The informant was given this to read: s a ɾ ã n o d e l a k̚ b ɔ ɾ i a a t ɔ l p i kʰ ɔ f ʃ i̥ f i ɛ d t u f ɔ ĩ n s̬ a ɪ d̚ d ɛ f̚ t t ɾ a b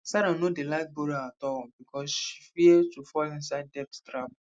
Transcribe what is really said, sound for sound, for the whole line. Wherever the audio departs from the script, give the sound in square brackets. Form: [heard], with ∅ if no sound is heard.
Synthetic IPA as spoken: s a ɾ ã n o d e l a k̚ b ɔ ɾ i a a t ɔ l [b] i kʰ ɔ [s] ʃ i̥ f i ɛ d t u f ɔ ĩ n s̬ a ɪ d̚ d ɛ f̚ t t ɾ a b